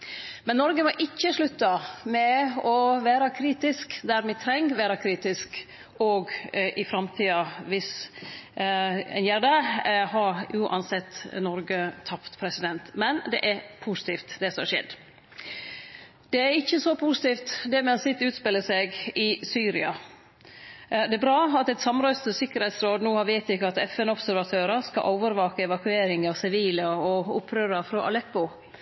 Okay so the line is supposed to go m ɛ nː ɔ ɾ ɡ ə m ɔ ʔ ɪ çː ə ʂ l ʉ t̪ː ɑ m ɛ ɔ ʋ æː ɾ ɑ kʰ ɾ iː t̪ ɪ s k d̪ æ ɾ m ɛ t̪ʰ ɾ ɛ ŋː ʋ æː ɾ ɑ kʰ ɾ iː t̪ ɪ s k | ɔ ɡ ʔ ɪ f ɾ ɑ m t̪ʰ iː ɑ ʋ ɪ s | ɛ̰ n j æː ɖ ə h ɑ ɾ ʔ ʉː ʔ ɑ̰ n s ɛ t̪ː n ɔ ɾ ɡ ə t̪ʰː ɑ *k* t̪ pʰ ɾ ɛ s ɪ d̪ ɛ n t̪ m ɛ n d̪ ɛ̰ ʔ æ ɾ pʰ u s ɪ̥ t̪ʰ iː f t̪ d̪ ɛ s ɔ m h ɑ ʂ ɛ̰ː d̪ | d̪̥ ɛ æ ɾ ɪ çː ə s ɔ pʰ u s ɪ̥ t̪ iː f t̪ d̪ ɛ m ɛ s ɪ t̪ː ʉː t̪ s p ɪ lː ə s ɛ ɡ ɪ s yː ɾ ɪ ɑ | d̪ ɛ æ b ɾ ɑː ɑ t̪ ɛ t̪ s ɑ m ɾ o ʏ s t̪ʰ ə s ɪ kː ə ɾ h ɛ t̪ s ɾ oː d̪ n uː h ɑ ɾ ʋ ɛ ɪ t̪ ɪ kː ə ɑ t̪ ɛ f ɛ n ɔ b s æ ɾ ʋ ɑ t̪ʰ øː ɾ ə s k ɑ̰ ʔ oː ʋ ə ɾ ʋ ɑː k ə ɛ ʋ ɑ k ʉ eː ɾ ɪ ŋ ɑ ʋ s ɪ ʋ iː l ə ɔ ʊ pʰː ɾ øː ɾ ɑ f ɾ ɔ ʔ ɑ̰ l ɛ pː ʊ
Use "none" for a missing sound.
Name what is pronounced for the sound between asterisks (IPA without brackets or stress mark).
p